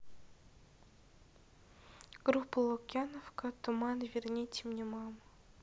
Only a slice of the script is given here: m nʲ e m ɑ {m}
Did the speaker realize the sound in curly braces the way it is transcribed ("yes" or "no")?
yes